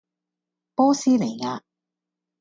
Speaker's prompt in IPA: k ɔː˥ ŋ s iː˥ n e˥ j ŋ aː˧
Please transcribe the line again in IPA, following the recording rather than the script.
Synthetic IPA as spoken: p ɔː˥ s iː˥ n e˨˩ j ŋ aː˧